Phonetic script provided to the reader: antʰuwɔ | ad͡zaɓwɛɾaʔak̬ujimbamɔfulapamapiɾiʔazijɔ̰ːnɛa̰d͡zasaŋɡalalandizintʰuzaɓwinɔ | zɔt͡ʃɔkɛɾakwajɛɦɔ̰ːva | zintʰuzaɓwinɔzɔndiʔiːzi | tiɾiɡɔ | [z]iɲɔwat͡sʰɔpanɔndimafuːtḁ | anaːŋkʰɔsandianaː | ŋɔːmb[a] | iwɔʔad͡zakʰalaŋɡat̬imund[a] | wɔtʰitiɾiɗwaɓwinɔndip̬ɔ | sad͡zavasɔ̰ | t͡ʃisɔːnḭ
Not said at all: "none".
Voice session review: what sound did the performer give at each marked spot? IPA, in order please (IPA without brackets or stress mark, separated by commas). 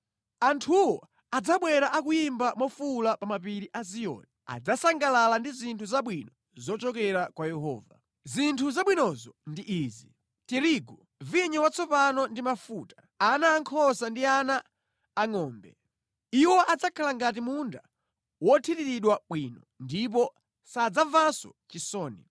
v, ɛ, a